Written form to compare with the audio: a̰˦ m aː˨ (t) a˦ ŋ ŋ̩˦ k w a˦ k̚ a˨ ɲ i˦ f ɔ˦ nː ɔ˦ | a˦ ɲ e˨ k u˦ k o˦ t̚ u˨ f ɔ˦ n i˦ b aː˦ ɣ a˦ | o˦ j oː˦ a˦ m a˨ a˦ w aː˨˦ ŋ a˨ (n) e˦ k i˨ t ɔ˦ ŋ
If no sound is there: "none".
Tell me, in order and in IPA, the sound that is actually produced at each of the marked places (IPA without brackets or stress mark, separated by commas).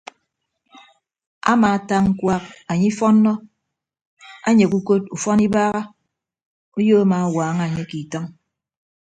t, ɲ